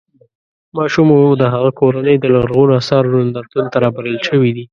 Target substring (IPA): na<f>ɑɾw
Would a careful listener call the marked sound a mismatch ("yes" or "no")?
yes